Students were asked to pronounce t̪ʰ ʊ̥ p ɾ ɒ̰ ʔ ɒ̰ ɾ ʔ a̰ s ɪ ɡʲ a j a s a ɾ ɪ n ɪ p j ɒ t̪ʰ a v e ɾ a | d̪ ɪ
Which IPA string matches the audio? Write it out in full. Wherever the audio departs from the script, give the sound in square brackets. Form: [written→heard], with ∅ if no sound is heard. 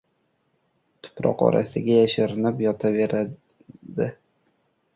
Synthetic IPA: t̪ʰ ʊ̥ p ɾ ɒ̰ [ʔ→q] ɒ̰ ɾ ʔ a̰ s ɪ ɡʲ a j a [s→ʃ] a ɾ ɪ n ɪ p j ɒ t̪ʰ a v e ɾ a | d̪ ɪ